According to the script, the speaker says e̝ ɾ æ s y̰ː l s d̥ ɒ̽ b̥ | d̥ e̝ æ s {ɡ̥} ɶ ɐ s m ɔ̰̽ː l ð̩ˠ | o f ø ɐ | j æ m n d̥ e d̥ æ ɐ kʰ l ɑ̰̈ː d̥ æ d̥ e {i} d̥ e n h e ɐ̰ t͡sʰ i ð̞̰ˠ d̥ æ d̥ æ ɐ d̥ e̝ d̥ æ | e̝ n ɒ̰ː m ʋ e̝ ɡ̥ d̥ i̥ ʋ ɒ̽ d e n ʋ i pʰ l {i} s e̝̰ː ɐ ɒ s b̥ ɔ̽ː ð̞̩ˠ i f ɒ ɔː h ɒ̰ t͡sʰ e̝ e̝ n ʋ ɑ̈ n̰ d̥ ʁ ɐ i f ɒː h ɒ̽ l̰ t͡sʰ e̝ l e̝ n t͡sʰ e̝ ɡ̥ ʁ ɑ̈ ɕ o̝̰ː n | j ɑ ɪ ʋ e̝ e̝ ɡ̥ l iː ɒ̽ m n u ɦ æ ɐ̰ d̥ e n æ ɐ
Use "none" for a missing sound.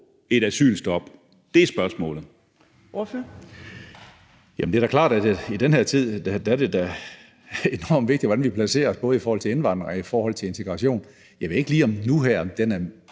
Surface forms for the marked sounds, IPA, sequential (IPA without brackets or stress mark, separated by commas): b̥, i, æ